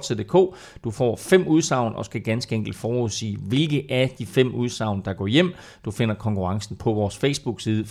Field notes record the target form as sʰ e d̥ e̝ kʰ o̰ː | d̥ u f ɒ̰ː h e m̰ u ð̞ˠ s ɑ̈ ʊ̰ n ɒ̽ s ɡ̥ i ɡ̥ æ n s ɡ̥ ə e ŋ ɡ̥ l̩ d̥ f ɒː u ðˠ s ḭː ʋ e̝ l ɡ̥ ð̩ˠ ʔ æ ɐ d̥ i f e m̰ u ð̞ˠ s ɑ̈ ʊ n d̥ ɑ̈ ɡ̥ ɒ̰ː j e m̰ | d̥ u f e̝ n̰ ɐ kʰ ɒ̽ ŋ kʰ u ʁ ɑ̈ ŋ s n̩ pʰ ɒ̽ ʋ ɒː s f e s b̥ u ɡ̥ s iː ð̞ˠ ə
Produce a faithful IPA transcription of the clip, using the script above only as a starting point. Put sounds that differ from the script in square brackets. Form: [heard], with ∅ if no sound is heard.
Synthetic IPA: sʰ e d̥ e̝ kʰ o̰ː | d̥ u f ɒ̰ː [f] e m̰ u ð̞ˠ s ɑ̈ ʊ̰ n ɒ̽ s ɡ̥ [æ] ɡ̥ æ n s ɡ̥ ə e ŋ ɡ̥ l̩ d̥ f ɒː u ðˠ s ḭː ʋ e̝ l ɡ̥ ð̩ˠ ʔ æ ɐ d̥ i f e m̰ u ð̞ˠ s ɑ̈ ʊ n d̥ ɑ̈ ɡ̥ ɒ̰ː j e m̰ | d̥ u f e̝ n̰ ɐ kʰ ɒ̽ ŋ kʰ u ʁ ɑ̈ ŋ s n̩ pʰ ɒ̽ ʋ ɒː s f e s b̥ u ɡ̥ s iː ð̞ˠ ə